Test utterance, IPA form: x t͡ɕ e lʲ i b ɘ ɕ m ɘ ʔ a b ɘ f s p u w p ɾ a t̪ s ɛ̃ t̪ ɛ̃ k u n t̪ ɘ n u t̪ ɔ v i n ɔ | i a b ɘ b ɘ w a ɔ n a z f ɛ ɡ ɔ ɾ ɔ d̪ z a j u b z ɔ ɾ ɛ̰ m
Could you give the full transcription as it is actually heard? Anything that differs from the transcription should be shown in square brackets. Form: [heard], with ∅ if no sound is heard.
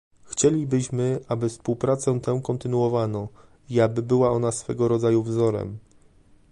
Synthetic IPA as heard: x t͡ɕ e lʲ i b ɘ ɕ m ɘ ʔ a b ɘ f s p u w p ɾ a t̪ s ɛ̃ t̪ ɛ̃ k [ɔ] n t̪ ɘ n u [∅] ɔ v [a] n ɔ | i a b ɘ b ɘ w a ɔ n a [s] f ɛ ɡ ɔ ɾ ɔ d̪ z a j u [v] z ɔ ɾ ɛ̰ m